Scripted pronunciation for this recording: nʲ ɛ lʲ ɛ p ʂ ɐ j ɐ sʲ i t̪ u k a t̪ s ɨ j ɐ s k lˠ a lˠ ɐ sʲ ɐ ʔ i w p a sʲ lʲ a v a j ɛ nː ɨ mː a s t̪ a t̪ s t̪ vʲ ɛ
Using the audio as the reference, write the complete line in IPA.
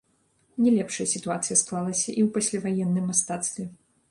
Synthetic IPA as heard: nʲ ɛ lʲ ɛ p ʂ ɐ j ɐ sʲ i t̪ u a t̪ s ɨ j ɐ s k lˠ a lˠ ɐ sʲ ɐ ʔ i w p a sʲ lʲ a v a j ɛ nː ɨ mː a s t̪ a t̪ s t̪ vʲ ɛ